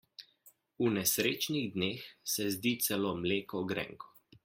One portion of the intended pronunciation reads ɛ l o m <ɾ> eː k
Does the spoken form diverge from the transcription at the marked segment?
yes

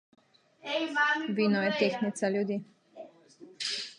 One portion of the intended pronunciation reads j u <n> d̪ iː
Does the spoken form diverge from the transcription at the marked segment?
yes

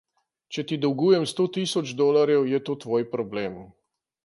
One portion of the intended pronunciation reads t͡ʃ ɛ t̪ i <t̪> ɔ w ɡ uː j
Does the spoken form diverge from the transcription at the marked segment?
yes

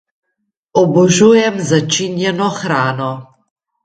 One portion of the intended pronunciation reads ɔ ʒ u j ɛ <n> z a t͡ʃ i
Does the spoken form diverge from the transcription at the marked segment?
yes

